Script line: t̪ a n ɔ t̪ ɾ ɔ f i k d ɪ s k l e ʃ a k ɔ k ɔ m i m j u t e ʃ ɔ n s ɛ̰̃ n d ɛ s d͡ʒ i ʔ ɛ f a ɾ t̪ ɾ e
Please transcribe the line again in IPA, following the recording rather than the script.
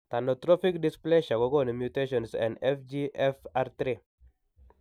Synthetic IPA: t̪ a n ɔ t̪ ɾ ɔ f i k d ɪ s p l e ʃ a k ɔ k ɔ n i m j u t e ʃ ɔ n s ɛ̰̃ n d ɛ f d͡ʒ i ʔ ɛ f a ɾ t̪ ɾ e